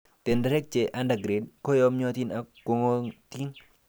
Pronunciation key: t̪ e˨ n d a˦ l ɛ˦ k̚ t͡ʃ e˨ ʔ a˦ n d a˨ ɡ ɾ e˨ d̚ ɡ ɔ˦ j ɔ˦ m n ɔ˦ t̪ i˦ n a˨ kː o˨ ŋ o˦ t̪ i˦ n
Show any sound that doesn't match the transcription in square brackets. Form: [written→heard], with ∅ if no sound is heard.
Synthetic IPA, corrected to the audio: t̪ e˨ n d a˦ [l→ɾ] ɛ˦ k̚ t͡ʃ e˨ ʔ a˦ n d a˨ ɡ ɾ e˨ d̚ [ɡ→k] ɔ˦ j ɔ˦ m [n→ɲ] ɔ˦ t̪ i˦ n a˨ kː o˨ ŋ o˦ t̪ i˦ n